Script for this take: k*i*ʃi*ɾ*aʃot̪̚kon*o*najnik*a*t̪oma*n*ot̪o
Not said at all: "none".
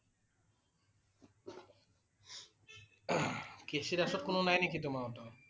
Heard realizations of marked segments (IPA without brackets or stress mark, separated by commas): e, ɾ, o, i, none